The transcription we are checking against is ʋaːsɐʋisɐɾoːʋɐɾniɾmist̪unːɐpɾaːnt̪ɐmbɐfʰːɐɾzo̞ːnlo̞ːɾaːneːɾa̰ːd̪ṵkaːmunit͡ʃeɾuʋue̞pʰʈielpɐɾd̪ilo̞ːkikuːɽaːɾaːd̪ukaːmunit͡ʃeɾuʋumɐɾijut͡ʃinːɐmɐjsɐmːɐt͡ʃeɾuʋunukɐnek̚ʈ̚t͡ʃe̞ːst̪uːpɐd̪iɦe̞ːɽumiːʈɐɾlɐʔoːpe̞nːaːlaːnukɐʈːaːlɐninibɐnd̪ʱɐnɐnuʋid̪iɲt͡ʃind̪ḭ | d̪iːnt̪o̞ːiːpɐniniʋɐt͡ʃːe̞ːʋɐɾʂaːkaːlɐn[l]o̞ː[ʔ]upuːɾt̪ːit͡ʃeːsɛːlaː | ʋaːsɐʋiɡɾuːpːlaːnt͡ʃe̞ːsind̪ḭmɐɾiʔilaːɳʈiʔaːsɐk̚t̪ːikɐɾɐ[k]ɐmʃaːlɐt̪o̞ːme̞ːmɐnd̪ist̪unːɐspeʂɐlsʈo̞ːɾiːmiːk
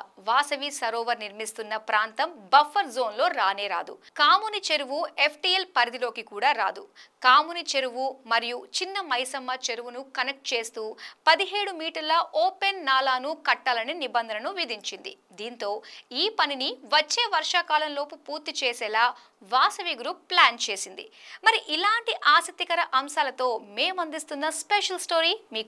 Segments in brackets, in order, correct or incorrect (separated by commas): correct, incorrect, incorrect